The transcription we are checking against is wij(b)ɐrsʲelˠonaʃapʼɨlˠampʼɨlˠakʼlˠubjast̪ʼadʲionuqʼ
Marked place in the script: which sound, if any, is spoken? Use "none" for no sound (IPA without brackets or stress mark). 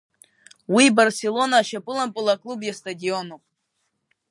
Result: b